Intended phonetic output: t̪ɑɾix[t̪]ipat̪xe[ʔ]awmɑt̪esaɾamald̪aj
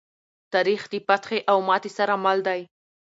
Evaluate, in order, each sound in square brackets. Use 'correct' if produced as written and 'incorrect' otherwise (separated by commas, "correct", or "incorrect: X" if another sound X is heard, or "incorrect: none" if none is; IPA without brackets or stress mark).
incorrect: d̪, correct